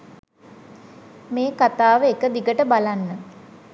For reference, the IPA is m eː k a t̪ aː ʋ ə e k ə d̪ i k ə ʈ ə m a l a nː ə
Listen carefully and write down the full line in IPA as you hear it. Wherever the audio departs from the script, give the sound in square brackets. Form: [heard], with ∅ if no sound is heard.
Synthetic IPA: m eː k a t̪ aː ʋ ə e k ə d̪ i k ə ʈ ə [b] a l a nː ə